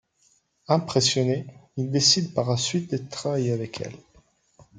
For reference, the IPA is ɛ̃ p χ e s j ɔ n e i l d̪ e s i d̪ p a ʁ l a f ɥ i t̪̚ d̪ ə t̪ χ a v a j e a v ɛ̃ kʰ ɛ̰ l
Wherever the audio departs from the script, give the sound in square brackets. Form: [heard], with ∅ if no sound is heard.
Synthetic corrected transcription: ɛ̃ p χ e s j ɔ n e i l d̪ e s i d̪ p a ʁ l a [s] ɥ i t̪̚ d̪ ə t̪ χ a v a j e a v [ɛ] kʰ ɛ̰ l